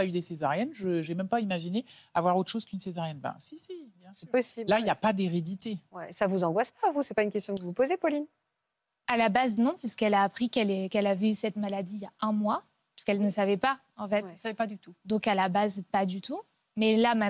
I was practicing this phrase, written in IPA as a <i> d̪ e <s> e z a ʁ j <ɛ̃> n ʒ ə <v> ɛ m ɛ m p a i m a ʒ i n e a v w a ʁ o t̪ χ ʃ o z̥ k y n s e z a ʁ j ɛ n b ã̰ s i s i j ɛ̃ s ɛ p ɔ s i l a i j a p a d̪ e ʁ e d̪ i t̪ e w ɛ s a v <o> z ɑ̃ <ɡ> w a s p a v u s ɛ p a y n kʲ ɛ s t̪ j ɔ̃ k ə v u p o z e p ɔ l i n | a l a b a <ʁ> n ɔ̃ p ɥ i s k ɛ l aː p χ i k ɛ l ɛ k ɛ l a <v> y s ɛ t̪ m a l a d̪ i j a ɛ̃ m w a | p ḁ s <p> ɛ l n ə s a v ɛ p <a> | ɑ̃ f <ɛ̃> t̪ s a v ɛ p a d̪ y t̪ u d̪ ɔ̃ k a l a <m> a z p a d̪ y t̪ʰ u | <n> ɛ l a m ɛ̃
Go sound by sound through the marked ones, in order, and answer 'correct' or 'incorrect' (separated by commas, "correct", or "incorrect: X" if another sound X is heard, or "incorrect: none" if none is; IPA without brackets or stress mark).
incorrect: y, correct, incorrect: ɛ, incorrect: ʒ, incorrect: u, correct, incorrect: z, correct, incorrect: k, correct, incorrect: ɛ, incorrect: b, incorrect: m